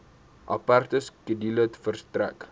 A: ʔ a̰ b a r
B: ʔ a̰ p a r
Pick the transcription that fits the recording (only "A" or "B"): B